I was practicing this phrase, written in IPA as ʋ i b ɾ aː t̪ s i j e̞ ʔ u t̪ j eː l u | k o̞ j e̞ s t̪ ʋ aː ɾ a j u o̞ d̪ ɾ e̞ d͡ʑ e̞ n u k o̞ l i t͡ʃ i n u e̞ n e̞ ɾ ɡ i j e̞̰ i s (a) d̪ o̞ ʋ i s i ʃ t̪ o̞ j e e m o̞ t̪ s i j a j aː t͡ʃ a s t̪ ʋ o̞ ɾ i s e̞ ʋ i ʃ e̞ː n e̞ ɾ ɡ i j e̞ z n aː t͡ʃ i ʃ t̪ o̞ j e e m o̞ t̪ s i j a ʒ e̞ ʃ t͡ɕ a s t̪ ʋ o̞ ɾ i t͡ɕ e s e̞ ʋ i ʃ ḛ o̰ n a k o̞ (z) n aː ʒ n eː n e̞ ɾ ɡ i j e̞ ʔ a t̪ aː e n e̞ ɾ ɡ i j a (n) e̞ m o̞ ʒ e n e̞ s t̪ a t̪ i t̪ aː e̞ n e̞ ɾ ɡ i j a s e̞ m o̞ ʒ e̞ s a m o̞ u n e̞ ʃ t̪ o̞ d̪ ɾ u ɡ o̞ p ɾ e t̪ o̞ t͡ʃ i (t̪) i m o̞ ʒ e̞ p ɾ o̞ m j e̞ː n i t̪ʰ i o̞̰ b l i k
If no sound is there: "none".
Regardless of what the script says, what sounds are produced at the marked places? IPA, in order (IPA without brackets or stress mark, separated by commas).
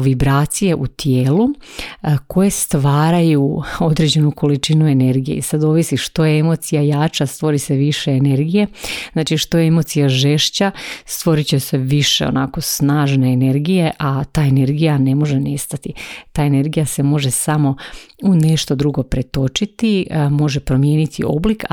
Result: a, s, n, t̪